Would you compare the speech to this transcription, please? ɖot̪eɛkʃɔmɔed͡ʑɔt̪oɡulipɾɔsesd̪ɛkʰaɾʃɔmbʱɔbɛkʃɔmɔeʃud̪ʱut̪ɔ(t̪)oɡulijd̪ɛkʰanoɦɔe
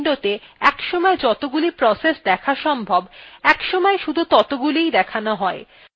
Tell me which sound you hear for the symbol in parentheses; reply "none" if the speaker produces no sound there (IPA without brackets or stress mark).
t̪